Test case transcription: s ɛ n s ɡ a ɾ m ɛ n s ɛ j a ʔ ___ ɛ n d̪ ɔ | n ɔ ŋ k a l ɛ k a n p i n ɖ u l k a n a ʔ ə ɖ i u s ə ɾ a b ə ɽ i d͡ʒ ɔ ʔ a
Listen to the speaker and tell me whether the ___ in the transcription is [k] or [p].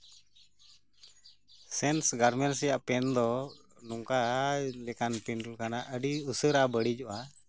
p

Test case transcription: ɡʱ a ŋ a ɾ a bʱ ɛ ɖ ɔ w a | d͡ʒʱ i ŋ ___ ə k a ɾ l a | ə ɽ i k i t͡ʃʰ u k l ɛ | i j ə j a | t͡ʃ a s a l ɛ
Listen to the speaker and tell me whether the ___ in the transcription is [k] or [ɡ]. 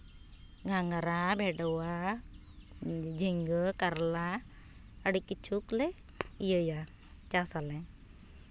ɡ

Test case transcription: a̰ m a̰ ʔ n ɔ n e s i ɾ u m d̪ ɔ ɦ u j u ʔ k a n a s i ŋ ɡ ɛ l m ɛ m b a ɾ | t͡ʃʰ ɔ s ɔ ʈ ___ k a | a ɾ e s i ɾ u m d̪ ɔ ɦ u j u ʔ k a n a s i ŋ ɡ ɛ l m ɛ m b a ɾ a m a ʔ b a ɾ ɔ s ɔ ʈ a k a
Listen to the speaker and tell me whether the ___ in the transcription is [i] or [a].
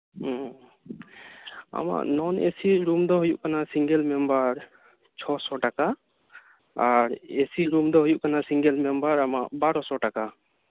a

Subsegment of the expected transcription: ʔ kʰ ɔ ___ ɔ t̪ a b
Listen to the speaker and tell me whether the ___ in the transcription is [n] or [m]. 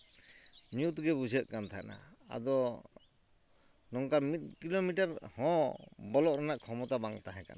m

